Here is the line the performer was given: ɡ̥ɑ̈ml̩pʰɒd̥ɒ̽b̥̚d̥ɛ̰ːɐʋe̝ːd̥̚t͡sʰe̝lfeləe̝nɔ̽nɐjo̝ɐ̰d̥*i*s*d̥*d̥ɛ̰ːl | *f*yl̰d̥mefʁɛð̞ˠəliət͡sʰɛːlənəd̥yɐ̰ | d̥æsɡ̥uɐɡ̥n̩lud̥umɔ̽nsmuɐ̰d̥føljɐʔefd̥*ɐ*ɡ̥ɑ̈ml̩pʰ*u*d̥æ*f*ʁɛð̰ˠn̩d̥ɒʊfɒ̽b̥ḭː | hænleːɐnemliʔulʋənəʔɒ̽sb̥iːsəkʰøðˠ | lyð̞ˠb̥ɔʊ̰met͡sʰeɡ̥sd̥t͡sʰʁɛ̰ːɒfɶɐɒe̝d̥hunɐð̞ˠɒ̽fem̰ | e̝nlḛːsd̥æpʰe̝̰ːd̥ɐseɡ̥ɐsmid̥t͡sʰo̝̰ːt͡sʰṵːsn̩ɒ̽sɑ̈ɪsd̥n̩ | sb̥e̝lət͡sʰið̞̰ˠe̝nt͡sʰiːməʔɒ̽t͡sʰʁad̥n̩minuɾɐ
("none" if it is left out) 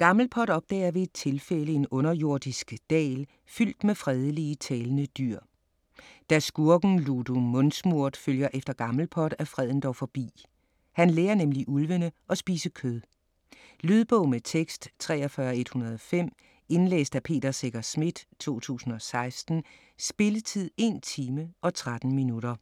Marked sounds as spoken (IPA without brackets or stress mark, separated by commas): i, ɡ̥, f, ɐ, ɒ, f